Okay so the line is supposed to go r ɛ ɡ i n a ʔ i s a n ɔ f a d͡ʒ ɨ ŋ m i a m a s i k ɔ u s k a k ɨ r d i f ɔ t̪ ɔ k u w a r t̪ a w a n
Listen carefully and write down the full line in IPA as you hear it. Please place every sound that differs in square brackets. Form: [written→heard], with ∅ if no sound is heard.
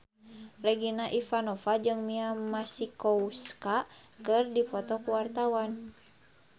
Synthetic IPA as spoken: r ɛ ɡ i n a ʔ i [s→f] a n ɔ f a d͡ʒ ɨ ŋ m i a m a s i k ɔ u s k a k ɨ r d i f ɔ t̪ ɔ k u w a r t̪ a w a n